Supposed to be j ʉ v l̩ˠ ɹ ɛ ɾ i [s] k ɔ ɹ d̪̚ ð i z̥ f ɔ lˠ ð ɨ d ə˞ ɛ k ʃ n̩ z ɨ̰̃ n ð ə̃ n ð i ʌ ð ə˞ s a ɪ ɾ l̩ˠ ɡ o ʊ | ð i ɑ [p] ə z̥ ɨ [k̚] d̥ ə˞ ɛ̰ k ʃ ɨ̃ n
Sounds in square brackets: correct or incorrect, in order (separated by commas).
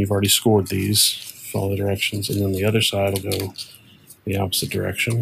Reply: correct, correct, incorrect